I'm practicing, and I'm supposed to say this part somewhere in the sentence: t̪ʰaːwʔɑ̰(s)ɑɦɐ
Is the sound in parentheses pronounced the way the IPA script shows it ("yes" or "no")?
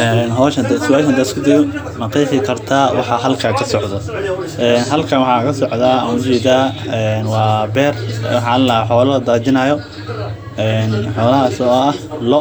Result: no